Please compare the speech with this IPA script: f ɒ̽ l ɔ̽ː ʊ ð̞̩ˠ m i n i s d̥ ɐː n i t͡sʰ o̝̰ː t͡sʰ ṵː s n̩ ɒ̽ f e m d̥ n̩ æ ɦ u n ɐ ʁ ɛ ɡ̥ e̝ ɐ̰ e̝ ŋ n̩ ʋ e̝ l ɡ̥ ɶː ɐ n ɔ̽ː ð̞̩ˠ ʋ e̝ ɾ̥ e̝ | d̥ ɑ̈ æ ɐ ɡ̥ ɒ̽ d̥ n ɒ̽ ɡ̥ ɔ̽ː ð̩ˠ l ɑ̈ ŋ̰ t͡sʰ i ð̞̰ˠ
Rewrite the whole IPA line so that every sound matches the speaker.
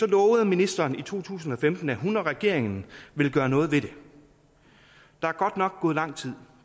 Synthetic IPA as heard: s ɒ̽ l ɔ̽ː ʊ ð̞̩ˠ m i n i s d̥ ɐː n i t͡sʰ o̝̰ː t͡sʰ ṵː s n̩ ɒ̽ f e m d̥ n̩ æ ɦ u n ɐ ʁ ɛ ɡ̥ e̝ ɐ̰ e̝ ŋ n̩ ʋ e̝ l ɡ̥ ɶː ɐ n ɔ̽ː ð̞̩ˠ ʋ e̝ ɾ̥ e̝ | d̥ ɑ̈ æ ɐ ɡ̥ ɒ̽ d̥ n ɒ̽ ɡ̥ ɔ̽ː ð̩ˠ l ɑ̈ ŋ̰ t͡sʰ i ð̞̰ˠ